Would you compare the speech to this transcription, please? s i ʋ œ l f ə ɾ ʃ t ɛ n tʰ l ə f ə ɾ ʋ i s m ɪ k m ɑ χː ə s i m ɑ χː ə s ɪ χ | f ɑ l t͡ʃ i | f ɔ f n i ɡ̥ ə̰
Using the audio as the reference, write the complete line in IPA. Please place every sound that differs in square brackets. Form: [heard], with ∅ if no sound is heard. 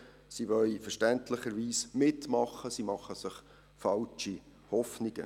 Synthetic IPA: s i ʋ œ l f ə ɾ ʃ t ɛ n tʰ l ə [χ] ə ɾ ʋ [iː] s m ɪ [t] m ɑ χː ə s i m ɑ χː ə s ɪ χ | f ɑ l t͡ʃ i | [h] ɔ f n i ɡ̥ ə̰